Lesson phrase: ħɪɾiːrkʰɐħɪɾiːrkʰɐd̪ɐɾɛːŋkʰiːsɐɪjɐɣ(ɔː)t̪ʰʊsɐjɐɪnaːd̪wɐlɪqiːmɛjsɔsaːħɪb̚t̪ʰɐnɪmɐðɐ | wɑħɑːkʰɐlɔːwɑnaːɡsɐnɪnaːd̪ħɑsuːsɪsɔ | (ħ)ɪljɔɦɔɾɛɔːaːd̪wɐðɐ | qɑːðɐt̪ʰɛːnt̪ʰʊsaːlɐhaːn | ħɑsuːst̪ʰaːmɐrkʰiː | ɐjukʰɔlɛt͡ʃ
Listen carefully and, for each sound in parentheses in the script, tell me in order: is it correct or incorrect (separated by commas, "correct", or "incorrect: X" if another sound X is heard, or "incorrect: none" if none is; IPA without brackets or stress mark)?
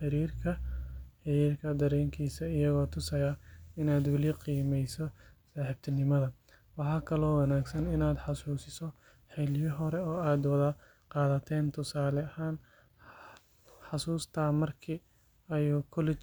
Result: correct, correct